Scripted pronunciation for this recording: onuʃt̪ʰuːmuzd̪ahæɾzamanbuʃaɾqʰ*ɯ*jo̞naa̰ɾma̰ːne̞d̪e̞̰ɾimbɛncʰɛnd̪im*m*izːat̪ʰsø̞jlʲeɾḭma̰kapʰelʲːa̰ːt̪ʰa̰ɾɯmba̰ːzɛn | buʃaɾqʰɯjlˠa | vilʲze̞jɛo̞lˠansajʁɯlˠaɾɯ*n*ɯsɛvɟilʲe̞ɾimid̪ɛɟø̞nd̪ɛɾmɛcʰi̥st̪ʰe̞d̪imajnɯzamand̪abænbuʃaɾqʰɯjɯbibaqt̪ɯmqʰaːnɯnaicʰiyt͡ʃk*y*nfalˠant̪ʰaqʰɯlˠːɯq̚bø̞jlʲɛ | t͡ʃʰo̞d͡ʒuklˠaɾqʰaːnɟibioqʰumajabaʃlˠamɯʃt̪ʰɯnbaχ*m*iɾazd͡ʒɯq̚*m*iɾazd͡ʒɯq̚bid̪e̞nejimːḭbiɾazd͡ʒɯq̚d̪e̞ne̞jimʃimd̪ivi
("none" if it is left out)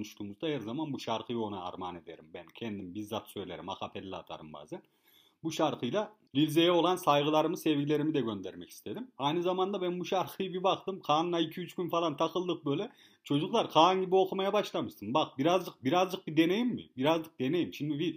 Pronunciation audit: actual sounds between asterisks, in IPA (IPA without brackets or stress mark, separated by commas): ɯ, b, m, y, b, b